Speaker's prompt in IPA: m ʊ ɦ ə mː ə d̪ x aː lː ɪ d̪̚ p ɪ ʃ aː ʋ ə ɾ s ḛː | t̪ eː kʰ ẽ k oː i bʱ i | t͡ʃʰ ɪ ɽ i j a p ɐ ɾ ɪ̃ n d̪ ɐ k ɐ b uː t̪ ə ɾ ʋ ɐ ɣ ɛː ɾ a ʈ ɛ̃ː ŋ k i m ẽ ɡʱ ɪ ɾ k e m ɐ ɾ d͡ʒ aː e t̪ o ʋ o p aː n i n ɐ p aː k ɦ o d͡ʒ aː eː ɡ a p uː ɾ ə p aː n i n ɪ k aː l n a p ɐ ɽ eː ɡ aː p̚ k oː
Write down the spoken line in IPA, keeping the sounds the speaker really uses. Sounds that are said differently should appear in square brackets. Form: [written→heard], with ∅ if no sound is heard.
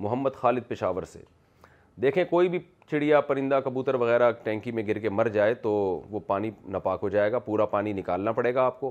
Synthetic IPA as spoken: m ʊ ɦ ə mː ə d̪ x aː [lː→l] ɪ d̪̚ p ɪ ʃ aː ʋ ə ɾ s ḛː | [t̪→d̪] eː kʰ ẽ k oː i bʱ i | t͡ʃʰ ɪ ɽ i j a p ɐ ɾ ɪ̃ n d̪ [ɐ→a] k ɐ b uː t̪ ə ɾ ʋ ɐ ɣ ɛː ɾ a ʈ ɛ̃ː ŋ k i m ẽ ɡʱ ɪ ɾ k e m ɐ ɾ d͡ʒ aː e t̪ o ʋ o p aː n i n ɐ p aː k ɦ o d͡ʒ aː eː ɡ a p uː ɾ [ə→a] p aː n i n ɪ k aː l n a p ɐ ɽ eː ɡ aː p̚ k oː